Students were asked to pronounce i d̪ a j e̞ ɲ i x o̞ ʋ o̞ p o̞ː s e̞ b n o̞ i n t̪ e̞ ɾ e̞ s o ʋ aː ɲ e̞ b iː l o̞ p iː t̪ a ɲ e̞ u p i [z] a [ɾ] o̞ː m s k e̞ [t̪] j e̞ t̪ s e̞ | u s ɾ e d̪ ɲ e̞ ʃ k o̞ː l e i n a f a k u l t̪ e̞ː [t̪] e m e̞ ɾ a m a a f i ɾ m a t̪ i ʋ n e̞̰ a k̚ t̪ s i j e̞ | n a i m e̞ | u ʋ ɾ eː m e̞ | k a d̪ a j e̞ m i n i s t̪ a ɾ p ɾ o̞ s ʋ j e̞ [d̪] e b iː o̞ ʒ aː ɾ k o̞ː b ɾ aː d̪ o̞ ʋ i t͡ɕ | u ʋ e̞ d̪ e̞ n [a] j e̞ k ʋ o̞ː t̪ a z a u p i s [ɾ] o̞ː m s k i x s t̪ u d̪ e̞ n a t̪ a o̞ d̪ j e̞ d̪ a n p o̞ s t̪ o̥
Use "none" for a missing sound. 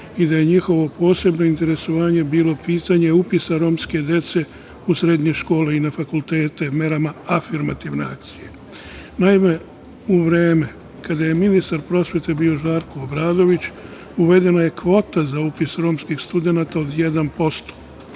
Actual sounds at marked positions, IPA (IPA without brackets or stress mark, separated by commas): s, ɾ, d̪, t̪, t̪, a, ɾ